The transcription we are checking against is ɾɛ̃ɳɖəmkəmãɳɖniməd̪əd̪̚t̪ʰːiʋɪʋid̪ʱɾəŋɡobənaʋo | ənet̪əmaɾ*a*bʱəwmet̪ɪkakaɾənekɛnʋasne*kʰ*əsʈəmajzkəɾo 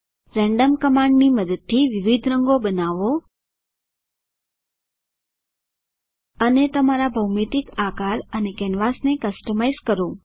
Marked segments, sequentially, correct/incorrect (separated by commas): correct, incorrect